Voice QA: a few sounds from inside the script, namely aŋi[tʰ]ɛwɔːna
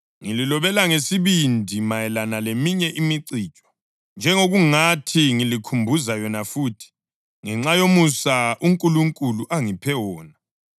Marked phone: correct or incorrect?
incorrect